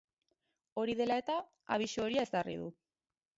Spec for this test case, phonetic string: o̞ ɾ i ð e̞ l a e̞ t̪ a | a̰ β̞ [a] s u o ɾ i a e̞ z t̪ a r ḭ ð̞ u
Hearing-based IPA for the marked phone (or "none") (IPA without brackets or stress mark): i